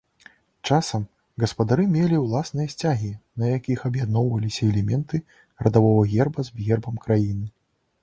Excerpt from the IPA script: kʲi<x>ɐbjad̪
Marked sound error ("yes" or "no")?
no